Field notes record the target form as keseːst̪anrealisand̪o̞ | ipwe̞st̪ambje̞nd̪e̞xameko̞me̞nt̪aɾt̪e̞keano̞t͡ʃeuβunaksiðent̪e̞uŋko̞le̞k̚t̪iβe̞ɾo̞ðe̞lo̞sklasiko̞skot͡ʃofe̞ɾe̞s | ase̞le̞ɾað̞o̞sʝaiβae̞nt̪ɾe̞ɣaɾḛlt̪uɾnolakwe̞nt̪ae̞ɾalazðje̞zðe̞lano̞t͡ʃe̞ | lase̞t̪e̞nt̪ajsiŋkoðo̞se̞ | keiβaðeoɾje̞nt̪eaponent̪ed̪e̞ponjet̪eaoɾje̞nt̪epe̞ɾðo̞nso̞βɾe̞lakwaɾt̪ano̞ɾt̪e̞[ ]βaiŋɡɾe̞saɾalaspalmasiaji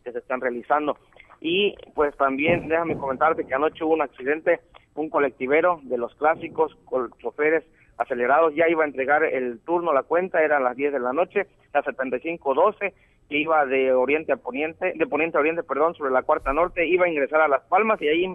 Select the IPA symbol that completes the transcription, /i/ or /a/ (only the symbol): i